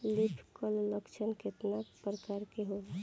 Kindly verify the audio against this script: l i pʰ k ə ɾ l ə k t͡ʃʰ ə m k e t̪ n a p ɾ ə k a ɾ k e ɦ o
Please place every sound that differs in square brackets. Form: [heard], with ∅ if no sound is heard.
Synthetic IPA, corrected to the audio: l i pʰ k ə [l] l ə k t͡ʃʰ ə [n] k e t̪ n a p ɾ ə k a ɾ k e ɦ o